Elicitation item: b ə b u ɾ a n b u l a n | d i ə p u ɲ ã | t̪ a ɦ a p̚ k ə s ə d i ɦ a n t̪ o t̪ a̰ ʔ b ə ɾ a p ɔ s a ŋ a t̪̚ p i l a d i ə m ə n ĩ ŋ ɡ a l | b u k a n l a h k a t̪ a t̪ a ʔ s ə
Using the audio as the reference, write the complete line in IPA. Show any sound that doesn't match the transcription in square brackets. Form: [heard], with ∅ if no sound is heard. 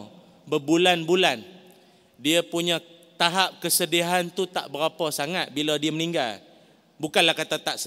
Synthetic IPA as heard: b ə b u [l] a n b u l a n | d i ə p u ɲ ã | t̪ a ɦ a p̚ k ə s ə d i ɦ a n t̪ [u] t̪ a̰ ʔ b ə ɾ a p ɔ s a ŋ a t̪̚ [b] i l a d i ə m ə n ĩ ŋ ɡ a l | b u k a n l a h k a t̪ a t̪ a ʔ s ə